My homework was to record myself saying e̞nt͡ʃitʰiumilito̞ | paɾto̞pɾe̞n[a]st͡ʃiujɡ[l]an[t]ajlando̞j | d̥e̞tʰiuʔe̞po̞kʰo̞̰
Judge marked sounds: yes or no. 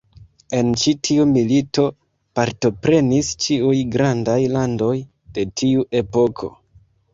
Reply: no, no, no

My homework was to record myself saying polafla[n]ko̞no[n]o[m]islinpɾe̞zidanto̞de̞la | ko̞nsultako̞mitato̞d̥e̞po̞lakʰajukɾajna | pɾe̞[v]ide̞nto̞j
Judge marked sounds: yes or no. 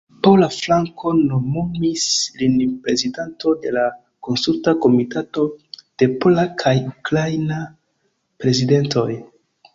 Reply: no, no, yes, no

